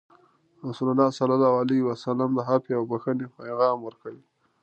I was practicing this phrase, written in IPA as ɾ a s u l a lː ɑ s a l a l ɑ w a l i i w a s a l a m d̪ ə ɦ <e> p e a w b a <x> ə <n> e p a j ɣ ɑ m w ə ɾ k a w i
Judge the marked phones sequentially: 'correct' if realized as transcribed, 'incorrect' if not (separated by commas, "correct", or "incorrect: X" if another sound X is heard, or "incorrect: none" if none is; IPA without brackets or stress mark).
incorrect: a, correct, correct